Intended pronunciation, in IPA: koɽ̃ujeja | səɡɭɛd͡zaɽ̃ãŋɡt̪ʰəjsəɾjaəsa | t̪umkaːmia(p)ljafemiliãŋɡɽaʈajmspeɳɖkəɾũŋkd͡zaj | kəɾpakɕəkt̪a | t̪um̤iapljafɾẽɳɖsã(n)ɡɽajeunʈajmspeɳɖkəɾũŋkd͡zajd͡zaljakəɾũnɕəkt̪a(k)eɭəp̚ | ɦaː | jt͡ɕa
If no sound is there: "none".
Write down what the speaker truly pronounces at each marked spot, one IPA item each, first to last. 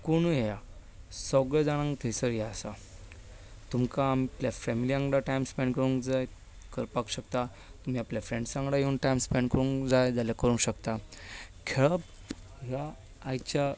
p, ŋ, kʰ

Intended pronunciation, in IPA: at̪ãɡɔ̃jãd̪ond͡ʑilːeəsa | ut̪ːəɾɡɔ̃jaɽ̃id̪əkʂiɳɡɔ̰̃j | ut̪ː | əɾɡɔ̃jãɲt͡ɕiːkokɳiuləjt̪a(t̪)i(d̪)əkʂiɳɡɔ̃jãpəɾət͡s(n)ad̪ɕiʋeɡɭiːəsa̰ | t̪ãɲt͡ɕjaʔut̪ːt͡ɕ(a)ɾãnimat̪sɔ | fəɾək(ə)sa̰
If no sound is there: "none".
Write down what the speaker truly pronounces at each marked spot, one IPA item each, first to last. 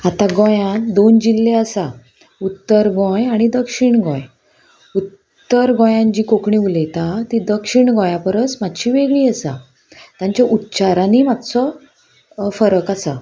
t̪, d̪, m, a, a

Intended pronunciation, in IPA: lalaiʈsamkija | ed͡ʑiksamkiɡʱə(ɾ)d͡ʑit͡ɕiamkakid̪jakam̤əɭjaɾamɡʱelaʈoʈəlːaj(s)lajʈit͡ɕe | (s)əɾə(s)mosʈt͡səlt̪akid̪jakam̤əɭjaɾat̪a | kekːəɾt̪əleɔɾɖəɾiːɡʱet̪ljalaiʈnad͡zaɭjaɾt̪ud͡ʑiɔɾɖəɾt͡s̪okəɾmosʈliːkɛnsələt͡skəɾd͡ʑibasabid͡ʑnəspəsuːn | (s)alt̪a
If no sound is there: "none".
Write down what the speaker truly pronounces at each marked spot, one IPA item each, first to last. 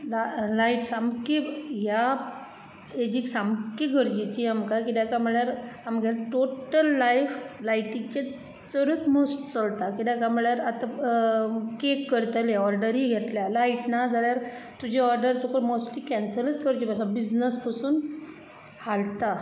ɾ, f, t͡s, t͡s, h

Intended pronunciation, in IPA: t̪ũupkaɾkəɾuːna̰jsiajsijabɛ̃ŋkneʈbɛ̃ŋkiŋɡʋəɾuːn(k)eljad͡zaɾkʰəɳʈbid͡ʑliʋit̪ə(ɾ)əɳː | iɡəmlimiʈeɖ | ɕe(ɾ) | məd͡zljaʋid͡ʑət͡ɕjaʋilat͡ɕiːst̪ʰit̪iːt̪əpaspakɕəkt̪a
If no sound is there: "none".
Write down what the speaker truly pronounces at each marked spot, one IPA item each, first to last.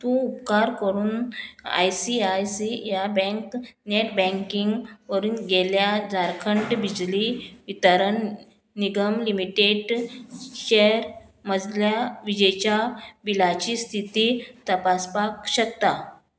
ɡ, ɾ, ɾ

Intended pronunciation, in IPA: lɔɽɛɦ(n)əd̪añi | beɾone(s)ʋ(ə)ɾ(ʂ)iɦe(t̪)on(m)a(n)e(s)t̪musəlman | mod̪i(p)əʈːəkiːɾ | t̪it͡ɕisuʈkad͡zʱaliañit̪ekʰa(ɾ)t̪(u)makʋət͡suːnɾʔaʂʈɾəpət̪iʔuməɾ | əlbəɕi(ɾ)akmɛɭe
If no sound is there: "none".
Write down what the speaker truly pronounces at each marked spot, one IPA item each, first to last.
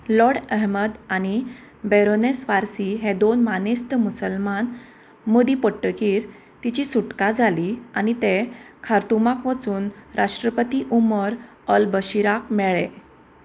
m, s, a, s, d̪, m, n, s, p, ɾ, u, ɾ

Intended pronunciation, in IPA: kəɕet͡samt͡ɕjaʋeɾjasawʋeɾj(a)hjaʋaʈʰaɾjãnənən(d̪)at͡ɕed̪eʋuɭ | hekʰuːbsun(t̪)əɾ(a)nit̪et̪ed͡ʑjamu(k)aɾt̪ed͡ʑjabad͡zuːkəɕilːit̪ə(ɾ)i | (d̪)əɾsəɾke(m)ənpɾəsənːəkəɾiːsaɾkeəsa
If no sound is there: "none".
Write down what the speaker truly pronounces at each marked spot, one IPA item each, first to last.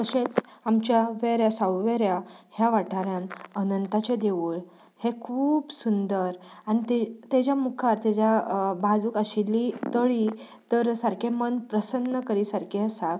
a, t̪, d̪, a, kʰ, ɭ, t̪, m

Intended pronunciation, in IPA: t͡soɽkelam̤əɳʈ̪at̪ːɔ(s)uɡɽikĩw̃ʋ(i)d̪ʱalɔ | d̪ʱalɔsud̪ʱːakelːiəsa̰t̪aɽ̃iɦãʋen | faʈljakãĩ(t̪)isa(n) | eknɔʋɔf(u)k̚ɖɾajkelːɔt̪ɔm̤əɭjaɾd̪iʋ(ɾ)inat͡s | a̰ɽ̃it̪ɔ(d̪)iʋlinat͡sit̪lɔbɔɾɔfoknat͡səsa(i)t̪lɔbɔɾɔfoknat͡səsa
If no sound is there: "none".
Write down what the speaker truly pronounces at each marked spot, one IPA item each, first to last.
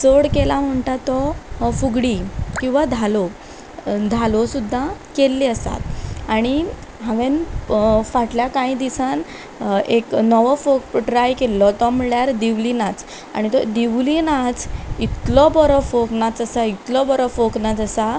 f, a, d̪, n, o, l, d̪, i

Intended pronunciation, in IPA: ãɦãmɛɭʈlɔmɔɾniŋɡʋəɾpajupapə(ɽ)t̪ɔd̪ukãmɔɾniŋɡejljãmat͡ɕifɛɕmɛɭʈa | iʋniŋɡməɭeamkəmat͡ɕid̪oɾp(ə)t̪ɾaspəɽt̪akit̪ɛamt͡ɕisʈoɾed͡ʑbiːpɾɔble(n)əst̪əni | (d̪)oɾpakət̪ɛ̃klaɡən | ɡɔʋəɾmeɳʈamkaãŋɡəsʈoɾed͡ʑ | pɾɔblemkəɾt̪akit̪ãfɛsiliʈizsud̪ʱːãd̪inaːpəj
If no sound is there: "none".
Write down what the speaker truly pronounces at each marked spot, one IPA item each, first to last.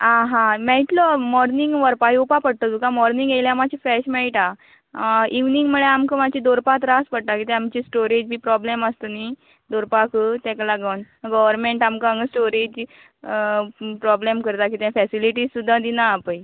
ɽ, a, m, d̪

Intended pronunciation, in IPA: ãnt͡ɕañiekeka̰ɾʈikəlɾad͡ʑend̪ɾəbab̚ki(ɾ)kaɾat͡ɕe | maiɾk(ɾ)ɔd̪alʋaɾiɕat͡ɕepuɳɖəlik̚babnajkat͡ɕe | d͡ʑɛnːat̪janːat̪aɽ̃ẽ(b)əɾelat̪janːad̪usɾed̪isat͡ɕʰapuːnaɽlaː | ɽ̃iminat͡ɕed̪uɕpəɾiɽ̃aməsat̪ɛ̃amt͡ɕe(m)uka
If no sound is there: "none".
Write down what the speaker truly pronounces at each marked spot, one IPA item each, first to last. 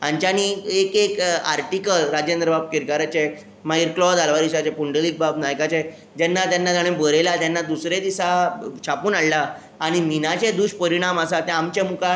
ɾ, l, b, m

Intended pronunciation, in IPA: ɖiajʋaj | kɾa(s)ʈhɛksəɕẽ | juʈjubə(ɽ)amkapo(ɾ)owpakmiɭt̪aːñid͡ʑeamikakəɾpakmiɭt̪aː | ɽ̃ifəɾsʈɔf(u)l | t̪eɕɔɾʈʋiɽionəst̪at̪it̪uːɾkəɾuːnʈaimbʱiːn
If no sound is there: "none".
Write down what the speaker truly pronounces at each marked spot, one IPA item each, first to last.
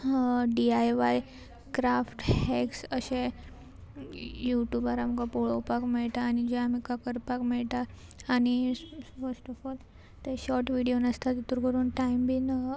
f, ɾ, ɭ, ɔ

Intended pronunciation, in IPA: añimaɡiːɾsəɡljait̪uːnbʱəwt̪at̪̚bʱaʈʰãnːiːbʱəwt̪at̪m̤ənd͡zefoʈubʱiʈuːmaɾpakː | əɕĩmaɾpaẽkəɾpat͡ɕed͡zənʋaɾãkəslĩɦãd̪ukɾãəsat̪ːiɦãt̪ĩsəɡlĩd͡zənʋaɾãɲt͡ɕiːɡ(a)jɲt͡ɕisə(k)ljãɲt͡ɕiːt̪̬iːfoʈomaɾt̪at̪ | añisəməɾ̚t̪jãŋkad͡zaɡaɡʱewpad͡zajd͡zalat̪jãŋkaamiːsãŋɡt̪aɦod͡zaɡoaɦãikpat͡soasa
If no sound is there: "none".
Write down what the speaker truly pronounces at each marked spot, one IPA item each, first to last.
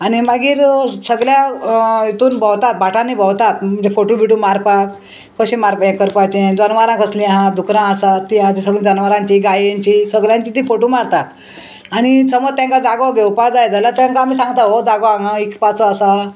a, ɡ

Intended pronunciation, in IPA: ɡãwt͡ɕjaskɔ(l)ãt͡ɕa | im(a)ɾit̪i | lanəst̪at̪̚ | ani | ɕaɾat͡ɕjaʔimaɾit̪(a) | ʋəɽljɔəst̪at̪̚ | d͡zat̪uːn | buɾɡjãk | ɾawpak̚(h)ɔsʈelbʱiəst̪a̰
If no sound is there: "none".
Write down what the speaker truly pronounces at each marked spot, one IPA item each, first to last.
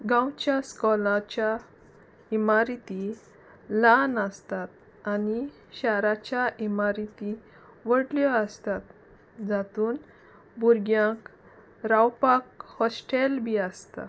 l, a, i, h

